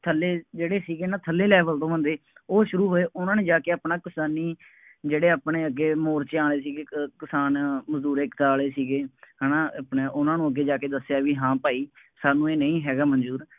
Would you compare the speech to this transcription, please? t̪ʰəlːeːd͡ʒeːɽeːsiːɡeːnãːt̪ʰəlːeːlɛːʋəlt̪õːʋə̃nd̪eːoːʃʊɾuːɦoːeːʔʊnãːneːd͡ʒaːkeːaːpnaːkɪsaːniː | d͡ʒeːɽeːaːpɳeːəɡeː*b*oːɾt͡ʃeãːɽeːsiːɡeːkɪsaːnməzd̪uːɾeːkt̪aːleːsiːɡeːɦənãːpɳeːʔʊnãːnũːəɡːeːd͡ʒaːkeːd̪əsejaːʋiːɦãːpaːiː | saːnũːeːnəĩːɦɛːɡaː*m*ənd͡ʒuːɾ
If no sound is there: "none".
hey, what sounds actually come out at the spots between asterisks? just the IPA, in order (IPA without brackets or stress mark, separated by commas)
m, m